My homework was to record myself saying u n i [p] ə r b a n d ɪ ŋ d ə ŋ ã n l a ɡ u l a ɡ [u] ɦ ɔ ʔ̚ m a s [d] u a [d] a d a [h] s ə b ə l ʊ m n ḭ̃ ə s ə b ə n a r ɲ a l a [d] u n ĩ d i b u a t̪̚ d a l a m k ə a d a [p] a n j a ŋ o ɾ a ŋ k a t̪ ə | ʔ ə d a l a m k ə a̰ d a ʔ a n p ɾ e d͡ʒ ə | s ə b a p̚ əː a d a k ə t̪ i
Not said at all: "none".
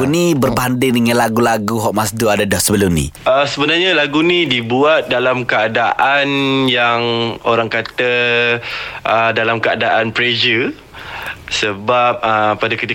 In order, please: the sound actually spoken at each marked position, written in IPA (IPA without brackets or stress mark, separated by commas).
b, u, d, d, h, ɡ, ʔ